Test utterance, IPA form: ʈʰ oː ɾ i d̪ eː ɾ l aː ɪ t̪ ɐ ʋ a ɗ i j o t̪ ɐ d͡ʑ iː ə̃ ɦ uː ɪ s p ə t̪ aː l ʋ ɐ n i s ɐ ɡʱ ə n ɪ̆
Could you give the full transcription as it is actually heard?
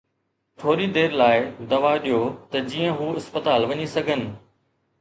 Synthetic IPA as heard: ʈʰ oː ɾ i d̪ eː ɾ l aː ɪ d̪ ɐ ʋ a ɗ i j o t̪ ɐ d͡ʑ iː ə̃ ɦ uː ɪ s p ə t̪ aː l ʋ ɐ ɲ i s ɐ ɡʱ ə n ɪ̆